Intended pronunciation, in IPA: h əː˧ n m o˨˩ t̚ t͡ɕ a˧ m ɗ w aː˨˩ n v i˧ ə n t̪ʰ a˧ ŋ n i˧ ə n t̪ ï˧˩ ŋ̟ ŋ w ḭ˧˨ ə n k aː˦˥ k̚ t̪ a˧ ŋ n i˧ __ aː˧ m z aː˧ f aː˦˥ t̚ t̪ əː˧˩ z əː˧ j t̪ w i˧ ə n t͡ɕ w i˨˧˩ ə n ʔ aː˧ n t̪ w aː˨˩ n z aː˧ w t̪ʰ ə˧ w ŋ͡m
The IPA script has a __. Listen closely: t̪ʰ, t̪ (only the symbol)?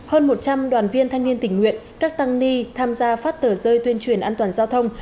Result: t̪ʰ